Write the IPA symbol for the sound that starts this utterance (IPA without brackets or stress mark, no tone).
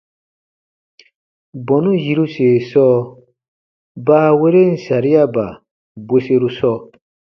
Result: b